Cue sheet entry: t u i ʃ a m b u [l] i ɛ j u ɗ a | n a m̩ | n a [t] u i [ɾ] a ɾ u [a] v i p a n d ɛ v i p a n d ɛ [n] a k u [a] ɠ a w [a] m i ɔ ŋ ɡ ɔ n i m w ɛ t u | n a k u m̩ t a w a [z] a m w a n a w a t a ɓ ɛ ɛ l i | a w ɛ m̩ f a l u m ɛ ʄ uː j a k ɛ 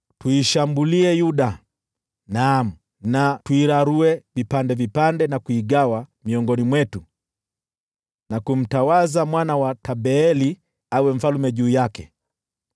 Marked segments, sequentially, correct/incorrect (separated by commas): correct, correct, correct, incorrect, correct, incorrect, correct, correct